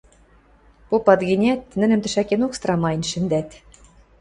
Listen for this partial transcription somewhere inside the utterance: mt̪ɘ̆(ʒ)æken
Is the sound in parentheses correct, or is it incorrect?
incorrect